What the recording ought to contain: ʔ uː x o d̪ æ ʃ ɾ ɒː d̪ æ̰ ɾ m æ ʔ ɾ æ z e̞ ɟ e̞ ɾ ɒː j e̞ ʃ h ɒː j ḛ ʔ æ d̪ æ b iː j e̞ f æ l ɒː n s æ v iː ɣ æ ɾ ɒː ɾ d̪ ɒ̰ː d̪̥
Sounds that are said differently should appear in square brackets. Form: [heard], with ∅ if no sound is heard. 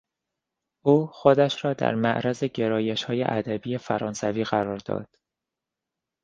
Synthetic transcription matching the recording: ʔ uː x o d̪ æ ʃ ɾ ɒː d̪ æ̰ ɾ m æ ʔ ɾ æ z e̞ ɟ e̞ ɾ ɒː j e̞ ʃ h ɒː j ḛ ʔ æ d̪ æ b iː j e̞ f æ [ɾ] ɒː n s æ v iː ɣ æ ɾ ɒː ɾ d̪ ɒ̰ː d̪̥